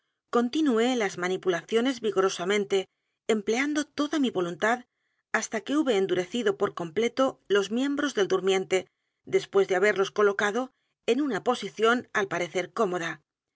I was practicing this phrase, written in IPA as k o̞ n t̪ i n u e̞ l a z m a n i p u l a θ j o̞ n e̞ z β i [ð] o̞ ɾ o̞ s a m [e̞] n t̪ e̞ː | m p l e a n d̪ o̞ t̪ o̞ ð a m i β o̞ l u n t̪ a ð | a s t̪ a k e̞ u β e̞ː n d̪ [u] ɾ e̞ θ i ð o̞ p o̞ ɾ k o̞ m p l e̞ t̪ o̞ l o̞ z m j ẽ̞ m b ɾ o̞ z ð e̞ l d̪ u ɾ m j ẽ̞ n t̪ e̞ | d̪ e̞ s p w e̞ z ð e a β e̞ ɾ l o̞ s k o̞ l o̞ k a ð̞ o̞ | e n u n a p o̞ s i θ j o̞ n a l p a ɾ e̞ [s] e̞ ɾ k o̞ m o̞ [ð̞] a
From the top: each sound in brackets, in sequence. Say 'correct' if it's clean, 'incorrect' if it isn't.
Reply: incorrect: ɣ, incorrect: ẽ̞, correct, incorrect: θ, correct

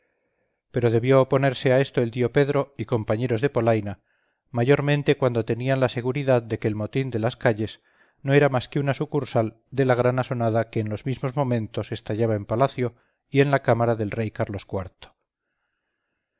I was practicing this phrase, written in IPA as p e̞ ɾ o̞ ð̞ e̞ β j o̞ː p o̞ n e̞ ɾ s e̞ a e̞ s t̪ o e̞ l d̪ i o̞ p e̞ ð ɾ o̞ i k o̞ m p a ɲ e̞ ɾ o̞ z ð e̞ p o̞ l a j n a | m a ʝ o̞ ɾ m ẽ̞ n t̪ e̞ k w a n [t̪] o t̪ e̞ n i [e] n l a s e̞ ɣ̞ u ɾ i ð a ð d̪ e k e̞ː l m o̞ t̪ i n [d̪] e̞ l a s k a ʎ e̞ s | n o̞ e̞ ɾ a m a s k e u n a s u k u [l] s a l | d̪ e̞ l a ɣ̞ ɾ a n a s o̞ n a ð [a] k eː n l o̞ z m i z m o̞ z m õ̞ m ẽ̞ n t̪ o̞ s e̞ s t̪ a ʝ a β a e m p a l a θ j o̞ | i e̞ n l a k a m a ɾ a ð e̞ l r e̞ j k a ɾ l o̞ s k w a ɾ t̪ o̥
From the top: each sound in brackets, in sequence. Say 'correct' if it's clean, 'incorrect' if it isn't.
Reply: incorrect: d̪, incorrect: a, correct, incorrect: ɾ, correct

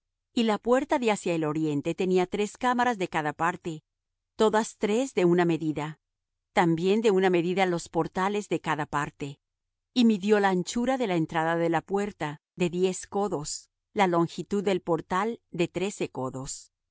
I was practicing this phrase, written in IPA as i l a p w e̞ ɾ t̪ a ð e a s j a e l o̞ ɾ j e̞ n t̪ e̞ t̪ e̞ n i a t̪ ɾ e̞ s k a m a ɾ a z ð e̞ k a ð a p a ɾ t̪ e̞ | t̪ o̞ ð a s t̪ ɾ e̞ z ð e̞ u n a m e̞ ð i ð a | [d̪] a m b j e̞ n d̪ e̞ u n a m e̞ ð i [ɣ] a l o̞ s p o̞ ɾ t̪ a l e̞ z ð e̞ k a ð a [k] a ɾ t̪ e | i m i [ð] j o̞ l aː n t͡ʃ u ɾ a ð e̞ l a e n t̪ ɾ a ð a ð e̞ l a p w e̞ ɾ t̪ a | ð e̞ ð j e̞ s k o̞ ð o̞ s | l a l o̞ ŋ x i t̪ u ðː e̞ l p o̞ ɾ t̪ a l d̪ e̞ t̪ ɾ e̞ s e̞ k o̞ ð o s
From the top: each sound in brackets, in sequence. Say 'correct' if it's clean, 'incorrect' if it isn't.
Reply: incorrect: t̪, incorrect: ð, incorrect: p, correct

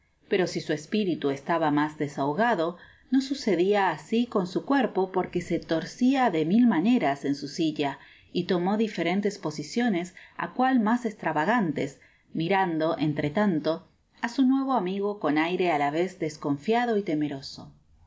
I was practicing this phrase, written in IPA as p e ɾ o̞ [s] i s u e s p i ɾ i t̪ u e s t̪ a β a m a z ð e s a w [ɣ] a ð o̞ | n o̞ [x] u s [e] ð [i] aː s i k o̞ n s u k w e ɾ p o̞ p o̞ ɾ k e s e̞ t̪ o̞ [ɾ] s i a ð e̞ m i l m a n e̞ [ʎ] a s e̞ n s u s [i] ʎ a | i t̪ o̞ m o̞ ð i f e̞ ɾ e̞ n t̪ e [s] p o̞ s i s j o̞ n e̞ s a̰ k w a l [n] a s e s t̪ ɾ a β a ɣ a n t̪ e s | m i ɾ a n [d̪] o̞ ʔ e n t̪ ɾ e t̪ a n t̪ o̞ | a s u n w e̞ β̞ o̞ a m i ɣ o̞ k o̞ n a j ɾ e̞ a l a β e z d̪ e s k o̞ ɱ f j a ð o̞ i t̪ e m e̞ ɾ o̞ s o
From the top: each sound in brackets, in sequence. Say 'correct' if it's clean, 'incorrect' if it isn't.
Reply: correct, correct, incorrect: s, correct, correct, correct, incorrect: ɾ, correct, correct, incorrect: m, correct

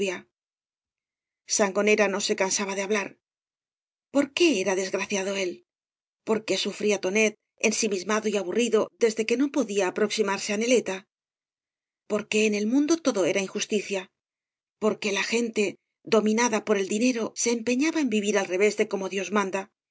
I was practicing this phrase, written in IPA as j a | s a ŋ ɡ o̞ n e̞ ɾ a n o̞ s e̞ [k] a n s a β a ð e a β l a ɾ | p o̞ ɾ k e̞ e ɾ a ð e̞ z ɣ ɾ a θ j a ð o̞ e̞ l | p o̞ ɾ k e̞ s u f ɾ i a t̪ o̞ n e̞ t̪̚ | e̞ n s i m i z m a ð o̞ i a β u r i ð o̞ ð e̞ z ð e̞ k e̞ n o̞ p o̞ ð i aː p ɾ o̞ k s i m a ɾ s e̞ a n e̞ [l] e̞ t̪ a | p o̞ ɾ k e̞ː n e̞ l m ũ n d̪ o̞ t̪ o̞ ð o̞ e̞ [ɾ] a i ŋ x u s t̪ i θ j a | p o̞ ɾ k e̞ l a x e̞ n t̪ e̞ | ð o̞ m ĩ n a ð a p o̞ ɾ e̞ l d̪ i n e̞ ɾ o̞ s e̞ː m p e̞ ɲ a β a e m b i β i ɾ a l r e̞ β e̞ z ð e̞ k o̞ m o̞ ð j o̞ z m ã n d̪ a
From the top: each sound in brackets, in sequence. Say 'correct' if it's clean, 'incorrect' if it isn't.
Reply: correct, correct, correct

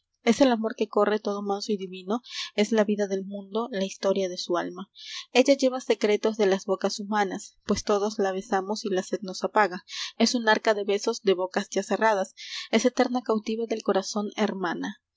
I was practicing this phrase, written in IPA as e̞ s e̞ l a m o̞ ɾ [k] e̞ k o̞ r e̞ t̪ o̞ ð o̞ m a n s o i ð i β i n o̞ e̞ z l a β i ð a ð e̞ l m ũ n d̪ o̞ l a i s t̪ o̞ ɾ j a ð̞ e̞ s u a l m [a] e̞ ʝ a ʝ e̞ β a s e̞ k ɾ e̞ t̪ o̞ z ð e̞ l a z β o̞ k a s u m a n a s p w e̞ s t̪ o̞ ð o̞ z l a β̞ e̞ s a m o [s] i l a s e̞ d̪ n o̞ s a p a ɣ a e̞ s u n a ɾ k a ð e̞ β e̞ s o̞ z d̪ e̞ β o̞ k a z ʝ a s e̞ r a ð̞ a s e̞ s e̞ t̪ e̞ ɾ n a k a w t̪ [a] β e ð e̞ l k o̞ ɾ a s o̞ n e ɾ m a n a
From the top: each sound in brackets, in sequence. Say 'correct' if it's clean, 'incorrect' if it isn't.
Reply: correct, correct, correct, incorrect: i

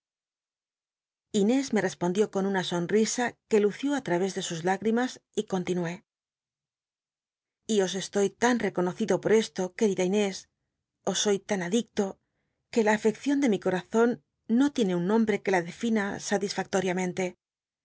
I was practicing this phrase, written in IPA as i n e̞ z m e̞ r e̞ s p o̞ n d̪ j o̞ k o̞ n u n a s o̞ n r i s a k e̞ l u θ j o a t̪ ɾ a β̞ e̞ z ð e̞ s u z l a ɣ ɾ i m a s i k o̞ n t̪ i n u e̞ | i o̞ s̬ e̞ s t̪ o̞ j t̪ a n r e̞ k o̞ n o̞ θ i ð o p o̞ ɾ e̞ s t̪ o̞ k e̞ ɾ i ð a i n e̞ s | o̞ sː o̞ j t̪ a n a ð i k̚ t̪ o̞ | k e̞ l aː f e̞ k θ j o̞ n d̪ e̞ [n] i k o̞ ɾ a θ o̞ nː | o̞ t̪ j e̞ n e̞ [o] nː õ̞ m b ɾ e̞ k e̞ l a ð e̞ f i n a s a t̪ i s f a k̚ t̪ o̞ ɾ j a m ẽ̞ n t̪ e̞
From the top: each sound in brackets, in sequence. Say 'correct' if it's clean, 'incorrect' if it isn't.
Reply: incorrect: m, incorrect: u

